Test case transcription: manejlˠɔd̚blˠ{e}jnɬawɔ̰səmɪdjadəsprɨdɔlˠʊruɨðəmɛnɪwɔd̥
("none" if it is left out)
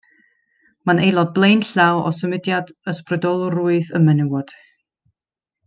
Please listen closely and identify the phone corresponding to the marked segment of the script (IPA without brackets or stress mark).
e